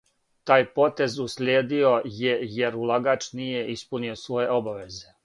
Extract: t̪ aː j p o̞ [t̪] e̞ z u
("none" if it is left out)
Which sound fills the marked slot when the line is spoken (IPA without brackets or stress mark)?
t̪